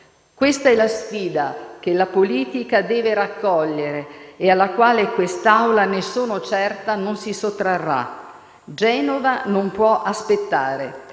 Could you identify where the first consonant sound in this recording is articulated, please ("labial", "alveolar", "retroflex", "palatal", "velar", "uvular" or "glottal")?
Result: velar